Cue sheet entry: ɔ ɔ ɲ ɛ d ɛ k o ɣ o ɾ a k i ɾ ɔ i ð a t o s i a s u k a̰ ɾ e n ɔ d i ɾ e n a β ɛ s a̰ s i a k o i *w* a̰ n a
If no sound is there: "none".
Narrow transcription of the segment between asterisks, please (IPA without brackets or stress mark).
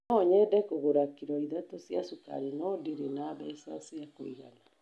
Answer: ɣ